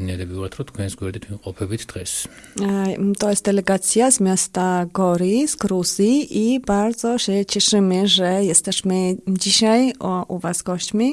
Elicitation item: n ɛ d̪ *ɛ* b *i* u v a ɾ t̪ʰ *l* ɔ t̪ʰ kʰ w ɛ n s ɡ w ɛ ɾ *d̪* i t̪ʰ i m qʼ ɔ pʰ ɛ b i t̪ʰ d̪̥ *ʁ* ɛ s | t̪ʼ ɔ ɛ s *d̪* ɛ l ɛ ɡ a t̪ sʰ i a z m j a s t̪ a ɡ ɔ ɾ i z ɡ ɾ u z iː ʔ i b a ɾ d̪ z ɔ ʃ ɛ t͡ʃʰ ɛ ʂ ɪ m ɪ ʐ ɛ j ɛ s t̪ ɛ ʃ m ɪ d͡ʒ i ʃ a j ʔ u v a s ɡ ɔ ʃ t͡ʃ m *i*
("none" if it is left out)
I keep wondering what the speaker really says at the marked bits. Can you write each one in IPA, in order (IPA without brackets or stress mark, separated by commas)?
ɛ, i, ɾ, d̪, ʁ, d̪, i